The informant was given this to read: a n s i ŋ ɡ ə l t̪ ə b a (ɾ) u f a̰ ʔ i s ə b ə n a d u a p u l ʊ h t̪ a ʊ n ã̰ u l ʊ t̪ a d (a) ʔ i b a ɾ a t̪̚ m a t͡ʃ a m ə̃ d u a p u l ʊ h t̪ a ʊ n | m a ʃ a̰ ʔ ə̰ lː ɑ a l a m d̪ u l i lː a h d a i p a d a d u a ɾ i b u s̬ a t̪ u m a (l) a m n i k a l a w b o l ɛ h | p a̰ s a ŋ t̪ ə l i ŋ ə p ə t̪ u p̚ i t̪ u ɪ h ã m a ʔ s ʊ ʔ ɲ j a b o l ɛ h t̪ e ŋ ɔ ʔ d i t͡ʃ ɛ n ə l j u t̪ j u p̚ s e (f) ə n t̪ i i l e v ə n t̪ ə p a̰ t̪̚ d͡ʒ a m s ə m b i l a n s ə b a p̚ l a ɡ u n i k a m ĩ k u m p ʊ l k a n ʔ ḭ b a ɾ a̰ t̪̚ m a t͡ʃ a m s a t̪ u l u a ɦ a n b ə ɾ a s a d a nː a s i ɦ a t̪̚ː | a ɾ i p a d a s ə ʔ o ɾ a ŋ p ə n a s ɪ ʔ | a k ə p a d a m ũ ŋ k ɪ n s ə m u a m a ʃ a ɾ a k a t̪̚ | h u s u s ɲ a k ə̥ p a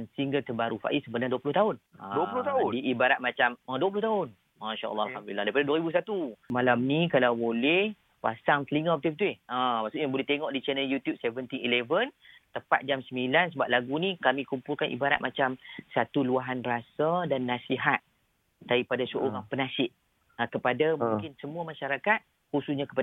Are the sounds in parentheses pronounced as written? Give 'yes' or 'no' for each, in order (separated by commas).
yes, no, yes, no